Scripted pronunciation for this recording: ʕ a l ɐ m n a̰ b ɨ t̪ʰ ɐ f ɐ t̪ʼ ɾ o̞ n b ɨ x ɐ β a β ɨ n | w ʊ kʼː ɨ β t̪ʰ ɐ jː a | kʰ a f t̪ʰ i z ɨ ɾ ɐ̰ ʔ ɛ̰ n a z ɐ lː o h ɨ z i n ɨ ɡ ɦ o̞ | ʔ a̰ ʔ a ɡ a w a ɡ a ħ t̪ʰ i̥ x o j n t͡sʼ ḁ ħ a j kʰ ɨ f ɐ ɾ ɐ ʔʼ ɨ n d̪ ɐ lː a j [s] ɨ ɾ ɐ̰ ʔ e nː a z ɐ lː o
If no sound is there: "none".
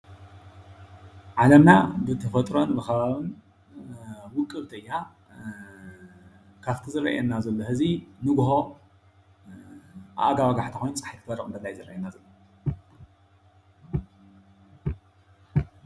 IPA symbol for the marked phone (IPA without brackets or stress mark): z